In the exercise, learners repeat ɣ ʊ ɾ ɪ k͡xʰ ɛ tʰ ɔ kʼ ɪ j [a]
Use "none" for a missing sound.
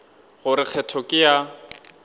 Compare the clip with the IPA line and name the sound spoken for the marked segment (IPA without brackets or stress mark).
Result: a